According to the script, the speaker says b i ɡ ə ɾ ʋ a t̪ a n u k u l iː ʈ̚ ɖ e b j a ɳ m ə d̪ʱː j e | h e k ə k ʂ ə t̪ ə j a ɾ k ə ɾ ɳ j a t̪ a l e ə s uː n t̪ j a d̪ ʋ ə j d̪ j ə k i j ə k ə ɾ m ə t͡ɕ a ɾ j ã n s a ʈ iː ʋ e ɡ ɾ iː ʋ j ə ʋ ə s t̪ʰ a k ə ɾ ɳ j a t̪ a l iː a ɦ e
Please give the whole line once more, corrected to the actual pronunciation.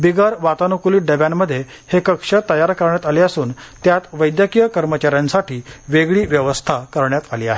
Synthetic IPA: b i ɡ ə ɾ ʋ a t̪ a n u k u l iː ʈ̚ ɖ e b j a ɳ m ə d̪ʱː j e | h e k ə k ʂ ə t̪ ə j a ɾ k ə ɾ ɳ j a t̪ a l e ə s uː n t̪ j a t̪ ʋ ə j d̪ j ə k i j ə k ə ɾ m ə t͡ɕ a ɾ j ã n s a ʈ iː ʋ e ɡ ɭ iː ʋ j ə ʋ ə s t̪ʰ a k ə ɾ ɳ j a t̪ a l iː a ɦ e